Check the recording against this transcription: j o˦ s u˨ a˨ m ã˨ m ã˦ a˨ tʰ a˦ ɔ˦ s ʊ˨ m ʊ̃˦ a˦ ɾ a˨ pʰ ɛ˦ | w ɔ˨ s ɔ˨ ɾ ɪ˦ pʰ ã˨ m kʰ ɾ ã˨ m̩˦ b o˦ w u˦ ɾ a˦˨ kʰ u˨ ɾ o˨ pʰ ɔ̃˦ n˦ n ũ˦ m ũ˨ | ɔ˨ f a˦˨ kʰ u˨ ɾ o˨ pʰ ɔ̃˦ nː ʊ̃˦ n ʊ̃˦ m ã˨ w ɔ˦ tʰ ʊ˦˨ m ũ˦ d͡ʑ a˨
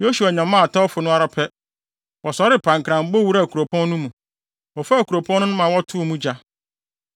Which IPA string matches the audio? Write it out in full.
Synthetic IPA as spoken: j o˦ s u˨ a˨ ɲ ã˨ m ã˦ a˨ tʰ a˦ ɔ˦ f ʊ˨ n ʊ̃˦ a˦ ɾ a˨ pʰ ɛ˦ | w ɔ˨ s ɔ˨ ɾ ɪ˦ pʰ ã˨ ŋ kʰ ɾ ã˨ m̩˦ b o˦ w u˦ ɾ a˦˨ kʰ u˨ ɾ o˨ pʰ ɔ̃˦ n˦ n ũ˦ m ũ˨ | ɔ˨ f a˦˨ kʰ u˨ ɾ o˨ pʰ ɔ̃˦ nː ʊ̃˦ n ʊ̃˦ m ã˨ w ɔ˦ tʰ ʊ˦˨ m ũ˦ d͡ʑ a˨

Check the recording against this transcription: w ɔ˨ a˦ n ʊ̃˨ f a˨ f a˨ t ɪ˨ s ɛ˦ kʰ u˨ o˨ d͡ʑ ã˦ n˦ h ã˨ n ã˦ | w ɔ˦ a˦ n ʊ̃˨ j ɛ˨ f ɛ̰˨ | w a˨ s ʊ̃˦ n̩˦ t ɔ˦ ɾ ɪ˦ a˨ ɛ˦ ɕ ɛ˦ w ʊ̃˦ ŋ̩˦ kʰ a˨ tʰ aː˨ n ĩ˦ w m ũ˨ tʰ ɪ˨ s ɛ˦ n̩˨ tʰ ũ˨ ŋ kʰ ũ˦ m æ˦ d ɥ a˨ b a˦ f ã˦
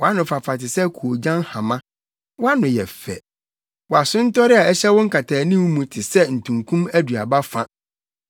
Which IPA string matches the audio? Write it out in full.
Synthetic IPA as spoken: w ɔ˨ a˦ n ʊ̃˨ f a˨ f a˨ t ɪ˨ s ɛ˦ kʰ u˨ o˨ d͡ʑ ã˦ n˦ h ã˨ m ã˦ | w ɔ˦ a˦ n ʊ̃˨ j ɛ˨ f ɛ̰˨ | w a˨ s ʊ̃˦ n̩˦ t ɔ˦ ɾ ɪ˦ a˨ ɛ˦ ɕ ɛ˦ w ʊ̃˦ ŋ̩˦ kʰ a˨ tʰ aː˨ n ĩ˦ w m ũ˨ tʰ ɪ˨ s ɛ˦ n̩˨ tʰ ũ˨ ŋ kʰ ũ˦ m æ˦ d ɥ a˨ b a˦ f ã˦

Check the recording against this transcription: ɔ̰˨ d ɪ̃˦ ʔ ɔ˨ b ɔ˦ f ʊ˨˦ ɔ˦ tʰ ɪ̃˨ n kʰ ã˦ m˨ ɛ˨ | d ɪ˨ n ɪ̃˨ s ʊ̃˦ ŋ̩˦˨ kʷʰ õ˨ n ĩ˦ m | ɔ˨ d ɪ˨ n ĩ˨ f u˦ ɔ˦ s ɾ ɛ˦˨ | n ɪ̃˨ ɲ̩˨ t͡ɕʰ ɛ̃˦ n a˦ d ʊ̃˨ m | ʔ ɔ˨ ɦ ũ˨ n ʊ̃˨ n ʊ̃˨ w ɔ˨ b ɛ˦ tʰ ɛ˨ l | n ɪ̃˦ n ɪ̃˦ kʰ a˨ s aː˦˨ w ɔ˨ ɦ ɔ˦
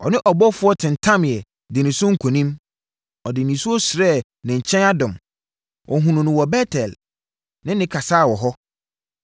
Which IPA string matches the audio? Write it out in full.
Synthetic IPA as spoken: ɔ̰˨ n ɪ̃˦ ʔ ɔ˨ b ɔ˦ f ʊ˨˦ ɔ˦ tʰ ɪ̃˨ n tʰ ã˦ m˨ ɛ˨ | d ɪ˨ n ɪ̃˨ s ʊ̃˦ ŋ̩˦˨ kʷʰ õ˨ n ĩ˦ m | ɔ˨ d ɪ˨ n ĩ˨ s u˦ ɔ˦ s ɾ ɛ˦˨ | n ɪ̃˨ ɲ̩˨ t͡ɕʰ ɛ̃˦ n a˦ d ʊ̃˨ m | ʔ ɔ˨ ɦ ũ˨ n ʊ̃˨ n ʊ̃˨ w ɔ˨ b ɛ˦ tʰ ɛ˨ l | n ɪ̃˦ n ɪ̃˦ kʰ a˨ s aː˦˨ w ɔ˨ ɦ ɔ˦

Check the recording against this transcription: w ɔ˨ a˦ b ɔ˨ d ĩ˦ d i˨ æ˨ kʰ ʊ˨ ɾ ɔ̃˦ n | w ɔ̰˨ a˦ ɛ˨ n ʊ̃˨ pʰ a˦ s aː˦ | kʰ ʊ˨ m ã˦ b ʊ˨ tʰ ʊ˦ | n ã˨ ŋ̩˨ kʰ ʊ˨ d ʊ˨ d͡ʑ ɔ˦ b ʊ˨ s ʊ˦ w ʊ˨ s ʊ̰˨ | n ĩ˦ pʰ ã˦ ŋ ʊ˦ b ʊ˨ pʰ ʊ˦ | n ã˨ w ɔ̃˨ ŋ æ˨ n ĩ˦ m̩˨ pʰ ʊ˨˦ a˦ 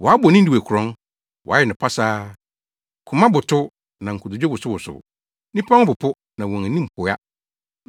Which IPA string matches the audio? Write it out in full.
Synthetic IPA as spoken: w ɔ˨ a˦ b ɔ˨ n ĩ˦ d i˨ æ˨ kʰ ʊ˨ ɾ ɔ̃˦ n | w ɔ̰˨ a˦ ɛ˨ n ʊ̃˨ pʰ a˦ s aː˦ | kʰ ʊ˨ m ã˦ b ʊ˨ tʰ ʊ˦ | n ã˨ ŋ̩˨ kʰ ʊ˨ d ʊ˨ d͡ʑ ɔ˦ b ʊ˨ s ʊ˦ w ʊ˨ s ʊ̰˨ | n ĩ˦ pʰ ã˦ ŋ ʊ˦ b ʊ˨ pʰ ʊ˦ | n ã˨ w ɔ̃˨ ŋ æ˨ n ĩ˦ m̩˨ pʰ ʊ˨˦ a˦

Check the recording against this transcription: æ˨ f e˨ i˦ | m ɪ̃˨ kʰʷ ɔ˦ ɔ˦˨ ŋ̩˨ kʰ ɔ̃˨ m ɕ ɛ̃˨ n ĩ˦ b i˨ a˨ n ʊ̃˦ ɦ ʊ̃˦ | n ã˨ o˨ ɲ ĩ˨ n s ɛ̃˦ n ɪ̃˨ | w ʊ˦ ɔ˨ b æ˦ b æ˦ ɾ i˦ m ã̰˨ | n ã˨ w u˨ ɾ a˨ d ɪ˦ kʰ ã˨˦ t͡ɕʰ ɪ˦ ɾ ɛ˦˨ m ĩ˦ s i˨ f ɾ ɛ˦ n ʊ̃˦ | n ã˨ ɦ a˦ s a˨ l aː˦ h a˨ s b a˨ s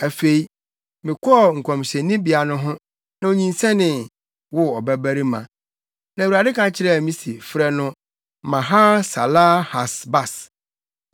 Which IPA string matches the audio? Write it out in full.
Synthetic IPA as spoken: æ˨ f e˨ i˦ | m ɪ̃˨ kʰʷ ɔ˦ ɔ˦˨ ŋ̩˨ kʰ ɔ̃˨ m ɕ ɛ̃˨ n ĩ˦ b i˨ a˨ n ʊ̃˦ ɦ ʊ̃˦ | n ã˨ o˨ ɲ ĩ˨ n s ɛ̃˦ n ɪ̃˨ | w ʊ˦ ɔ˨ b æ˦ b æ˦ ɾ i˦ m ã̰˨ | n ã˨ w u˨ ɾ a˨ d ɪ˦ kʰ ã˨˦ t͡ɕʰ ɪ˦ ɾ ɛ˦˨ m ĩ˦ s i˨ f ɾ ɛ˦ n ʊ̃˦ | m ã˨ ɦ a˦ s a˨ l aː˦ h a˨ s b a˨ s

